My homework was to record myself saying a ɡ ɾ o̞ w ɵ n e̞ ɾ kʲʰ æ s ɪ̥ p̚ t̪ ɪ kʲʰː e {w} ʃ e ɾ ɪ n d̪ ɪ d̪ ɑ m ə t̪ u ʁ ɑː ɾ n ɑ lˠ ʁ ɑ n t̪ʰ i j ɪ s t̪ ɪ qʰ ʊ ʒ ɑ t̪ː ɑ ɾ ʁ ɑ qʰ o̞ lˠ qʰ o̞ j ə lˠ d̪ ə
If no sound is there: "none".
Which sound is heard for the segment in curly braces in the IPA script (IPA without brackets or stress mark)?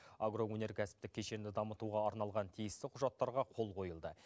none